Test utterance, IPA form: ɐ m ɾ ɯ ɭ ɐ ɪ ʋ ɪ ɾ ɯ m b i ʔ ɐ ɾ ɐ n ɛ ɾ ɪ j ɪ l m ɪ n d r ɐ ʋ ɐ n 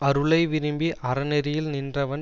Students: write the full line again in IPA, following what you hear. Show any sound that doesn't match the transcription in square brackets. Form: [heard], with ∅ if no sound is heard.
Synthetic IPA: ɐ [∅] ɾ ɯ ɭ ɐ ɪ ʋ ɪ ɾ ɯ m b i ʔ ɐ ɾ ɐ n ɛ ɾ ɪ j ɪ l [n] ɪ n d r ɐ ʋ ɐ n